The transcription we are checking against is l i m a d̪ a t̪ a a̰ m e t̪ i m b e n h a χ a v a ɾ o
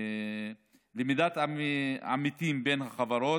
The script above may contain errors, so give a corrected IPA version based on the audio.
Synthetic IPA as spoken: l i m i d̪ a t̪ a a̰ m i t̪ i m b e n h a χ a v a ɾ o